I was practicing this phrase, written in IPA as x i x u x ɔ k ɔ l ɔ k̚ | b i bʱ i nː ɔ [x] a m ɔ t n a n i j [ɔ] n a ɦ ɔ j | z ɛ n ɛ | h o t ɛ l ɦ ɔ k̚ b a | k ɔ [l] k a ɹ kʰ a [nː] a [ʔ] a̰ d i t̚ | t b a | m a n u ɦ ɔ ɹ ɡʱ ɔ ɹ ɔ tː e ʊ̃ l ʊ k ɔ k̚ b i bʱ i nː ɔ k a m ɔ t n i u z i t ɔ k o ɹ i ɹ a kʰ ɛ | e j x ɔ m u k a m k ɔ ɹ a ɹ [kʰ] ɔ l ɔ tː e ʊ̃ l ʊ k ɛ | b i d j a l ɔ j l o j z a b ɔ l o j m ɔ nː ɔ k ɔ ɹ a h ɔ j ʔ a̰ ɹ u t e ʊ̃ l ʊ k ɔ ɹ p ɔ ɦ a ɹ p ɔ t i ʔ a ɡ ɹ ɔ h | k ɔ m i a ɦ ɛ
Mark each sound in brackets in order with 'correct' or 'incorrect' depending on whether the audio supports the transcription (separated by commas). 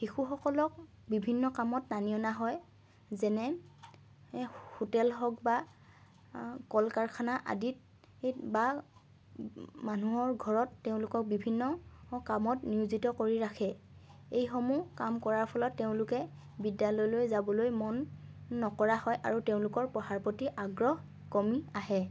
incorrect, correct, correct, incorrect, correct, incorrect